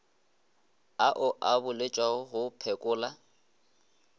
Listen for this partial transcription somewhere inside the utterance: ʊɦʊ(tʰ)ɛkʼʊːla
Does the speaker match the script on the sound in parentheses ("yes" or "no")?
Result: no